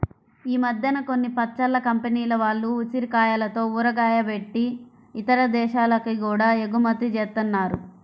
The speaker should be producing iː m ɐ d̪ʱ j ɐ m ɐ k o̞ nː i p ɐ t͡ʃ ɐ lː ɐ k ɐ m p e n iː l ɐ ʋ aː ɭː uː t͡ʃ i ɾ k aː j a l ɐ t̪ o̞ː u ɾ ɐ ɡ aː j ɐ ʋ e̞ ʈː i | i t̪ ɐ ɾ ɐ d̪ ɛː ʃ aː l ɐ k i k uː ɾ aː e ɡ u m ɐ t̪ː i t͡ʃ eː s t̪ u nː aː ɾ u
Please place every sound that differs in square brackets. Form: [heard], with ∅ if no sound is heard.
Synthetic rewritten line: iː m ɐ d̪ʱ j ɐ [n] ɐ k o̞ nː i p ɐ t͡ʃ ɐ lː ɐ k ɐ m p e n iː l ɐ ʋ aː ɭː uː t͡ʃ i ɾ k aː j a l ɐ t̪ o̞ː u ɾ ɐ ɡ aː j ɐ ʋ e̞ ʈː i | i t̪ ɐ ɾ ɐ d̪ ɛː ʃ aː l ɐ k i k uː [ɽ] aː e ɡ u m ɐ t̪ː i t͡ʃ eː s t̪ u nː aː ɾ u